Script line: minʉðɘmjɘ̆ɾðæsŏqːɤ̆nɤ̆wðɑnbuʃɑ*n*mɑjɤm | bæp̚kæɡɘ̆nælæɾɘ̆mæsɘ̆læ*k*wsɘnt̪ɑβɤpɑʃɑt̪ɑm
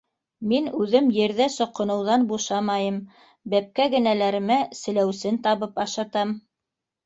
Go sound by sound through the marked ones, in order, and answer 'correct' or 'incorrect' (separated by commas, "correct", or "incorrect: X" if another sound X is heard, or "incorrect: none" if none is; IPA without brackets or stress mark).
incorrect: none, incorrect: none